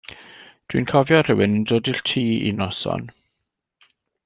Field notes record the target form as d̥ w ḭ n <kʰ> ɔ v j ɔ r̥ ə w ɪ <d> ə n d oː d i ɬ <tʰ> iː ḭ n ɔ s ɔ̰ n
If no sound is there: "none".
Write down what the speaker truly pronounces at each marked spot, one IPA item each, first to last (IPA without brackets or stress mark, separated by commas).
kʰ, n, tʰ